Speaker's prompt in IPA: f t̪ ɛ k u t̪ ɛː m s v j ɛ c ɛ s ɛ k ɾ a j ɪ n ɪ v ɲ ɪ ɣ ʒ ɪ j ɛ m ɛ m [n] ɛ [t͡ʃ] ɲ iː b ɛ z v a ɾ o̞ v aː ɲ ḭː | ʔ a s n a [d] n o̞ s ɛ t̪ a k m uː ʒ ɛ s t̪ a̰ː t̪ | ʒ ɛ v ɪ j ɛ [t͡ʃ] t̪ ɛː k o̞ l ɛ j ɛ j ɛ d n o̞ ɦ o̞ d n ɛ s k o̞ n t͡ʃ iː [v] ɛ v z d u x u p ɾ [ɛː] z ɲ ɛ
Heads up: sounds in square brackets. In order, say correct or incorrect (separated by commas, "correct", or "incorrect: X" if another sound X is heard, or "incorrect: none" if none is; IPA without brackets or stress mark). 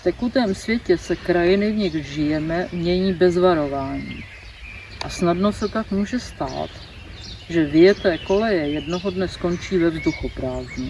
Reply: incorrect: ɲ, incorrect: none, correct, incorrect: none, correct, incorrect: aː